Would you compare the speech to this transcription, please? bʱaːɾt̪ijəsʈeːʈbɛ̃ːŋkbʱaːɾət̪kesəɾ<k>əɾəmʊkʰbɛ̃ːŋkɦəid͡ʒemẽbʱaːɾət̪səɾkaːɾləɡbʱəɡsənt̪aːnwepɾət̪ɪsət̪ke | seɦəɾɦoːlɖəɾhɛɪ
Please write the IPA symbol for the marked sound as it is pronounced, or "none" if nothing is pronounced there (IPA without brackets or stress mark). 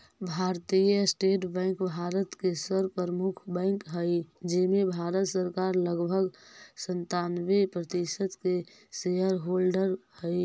p